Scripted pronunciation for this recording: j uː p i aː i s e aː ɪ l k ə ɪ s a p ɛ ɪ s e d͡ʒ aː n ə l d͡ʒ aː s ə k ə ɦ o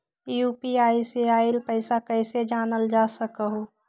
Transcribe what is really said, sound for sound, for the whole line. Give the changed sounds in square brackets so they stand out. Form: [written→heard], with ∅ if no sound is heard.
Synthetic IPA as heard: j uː p i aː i s e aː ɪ l [k→p] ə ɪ s a [p→k] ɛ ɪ s e d͡ʒ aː n ə l d͡ʒ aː s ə k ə ɦ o